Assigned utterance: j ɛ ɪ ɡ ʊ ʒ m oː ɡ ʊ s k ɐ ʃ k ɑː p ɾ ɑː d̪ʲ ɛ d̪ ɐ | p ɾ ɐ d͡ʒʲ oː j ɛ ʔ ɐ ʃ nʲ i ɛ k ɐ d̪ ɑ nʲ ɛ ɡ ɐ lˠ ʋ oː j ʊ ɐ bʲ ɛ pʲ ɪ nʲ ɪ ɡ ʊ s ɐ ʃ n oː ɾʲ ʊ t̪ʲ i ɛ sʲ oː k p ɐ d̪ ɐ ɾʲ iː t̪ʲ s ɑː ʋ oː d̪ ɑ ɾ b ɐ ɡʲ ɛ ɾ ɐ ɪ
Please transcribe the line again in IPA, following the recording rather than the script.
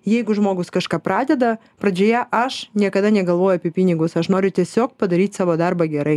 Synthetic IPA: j ɛ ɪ ɡ ʊ ʒ m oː ɡ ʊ s k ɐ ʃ k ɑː p ɾ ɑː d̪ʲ ɛ d̪ ɐ | p ɾ ɐ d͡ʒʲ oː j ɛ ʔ ɐ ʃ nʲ i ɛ k ɐ d̪ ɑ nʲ ɛ ɡ ɐ lˠ ʋ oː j ʊ ɐ pʲ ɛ pʲ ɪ nʲ ɪ ɡ ʊ s ɐ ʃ n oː ɾʲ ʊ t̪ʲ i ɛ sʲ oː k p ɐ d̪ ɐ ɾʲ iː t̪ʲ s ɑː ʋ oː d̪ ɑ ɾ b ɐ ɡʲ ɛ ɾ ɐ ɪ